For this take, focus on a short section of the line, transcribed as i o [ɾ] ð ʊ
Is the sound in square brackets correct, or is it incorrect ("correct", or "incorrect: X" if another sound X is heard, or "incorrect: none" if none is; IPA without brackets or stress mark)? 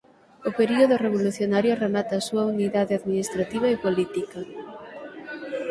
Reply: incorrect: none